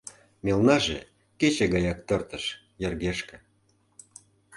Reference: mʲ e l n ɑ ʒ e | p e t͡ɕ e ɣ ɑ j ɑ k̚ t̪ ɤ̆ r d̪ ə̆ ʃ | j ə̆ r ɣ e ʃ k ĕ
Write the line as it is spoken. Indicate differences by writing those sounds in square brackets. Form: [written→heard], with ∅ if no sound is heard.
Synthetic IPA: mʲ e l n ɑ ʒ e | [p→k] e t͡ɕ e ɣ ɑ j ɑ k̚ t̪ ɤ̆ r [d̪→t̪] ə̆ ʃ | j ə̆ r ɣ e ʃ k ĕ